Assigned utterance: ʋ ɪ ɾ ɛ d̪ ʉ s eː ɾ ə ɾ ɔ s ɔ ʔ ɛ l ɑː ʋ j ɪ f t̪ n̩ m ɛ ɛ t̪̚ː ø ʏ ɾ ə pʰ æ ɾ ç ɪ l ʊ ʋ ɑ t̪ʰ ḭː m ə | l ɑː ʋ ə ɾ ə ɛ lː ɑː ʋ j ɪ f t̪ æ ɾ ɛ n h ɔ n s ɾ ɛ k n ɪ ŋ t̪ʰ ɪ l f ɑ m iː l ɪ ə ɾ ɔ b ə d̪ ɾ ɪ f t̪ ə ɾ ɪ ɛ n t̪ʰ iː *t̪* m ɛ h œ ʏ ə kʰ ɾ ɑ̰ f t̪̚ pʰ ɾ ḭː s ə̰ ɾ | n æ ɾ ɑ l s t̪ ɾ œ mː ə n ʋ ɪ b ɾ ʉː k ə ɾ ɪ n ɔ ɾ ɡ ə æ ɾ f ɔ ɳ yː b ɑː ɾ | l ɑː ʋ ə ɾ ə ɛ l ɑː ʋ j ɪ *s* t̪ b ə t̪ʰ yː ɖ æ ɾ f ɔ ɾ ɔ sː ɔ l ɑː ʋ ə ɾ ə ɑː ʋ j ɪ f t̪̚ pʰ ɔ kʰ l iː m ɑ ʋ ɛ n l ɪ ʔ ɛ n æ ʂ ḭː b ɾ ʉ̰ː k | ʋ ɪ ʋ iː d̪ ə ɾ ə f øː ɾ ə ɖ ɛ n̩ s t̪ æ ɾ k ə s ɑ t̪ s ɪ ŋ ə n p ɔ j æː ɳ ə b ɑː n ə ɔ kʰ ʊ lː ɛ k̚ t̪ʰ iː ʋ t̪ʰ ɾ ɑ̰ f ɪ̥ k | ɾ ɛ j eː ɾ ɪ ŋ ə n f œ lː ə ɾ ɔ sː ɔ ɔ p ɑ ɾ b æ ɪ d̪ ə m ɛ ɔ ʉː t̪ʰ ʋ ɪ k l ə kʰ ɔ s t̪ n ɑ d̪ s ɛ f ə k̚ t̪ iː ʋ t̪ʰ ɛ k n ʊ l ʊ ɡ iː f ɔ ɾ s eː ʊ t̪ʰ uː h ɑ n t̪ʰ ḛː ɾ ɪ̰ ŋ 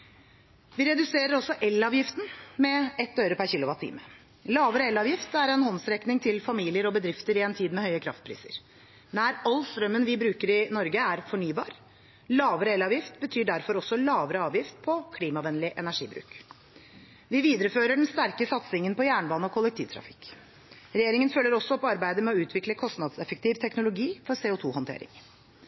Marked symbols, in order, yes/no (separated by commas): no, no